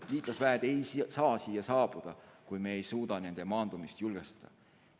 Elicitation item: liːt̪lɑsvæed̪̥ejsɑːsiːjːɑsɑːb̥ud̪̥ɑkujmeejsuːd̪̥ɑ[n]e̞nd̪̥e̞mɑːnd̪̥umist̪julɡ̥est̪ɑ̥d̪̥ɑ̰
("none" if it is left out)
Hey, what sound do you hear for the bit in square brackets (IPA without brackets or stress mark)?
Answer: n